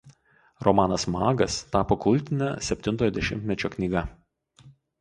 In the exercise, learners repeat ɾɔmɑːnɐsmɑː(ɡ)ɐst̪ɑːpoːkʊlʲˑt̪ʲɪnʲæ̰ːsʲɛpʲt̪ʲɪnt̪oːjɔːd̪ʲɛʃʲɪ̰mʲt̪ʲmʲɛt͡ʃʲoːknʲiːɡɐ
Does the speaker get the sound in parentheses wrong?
no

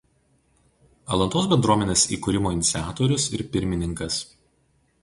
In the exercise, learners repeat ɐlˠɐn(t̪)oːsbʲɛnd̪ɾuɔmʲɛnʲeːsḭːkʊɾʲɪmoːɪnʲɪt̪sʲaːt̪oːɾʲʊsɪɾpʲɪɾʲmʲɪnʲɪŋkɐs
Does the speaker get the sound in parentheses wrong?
no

